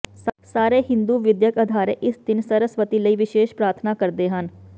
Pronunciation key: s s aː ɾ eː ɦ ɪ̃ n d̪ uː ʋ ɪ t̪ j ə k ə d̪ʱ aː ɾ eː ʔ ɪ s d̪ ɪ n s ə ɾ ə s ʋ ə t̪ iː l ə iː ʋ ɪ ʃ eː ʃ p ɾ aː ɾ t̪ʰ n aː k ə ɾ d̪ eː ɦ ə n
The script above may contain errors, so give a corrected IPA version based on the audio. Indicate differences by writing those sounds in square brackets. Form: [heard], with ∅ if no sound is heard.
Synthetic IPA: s s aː ɾ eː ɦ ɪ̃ n d̪ uː ʋ ɪ [d̪] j ə k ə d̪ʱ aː ɾ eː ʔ ɪ s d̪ ɪ n s ə ɾ ə s ʋ ə t̪ iː l ə iː ʋ ɪ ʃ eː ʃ p ɾ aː ɾ t̪ʰ n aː k ə ɾ d̪ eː ɦ ə n